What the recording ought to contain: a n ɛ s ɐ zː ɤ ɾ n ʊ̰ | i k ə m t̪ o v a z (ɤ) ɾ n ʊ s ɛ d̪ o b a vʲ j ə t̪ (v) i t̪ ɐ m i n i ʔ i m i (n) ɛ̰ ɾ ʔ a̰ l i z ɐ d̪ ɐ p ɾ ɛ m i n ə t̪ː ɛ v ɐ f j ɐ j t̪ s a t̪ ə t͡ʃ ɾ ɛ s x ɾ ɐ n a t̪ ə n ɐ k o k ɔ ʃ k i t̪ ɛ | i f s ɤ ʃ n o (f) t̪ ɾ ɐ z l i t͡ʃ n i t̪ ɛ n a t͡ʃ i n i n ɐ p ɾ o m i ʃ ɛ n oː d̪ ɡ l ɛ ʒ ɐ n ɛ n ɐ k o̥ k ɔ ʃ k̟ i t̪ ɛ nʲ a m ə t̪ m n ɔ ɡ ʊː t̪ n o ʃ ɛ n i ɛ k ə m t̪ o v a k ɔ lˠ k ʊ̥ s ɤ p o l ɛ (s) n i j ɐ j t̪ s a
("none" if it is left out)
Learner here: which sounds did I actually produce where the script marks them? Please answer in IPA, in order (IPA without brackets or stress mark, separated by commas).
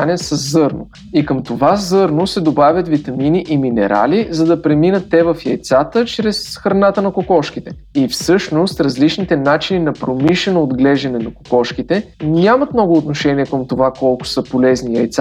ɤ, v, n, s, z